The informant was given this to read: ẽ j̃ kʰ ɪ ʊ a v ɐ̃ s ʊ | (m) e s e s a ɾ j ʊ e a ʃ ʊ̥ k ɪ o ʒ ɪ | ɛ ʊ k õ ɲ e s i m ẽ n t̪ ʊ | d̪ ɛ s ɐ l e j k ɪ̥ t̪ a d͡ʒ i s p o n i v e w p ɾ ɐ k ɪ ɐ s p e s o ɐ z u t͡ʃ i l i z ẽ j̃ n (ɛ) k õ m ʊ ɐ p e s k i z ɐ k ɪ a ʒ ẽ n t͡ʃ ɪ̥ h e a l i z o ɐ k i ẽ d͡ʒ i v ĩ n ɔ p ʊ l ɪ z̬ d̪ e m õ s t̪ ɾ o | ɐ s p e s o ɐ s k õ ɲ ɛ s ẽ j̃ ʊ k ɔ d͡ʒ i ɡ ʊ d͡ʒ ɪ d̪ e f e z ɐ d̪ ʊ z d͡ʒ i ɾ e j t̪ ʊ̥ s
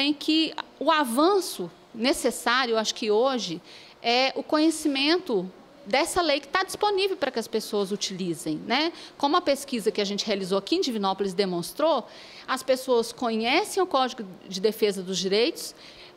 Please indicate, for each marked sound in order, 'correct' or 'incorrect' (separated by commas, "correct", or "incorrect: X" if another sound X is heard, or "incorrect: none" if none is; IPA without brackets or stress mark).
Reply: incorrect: n, correct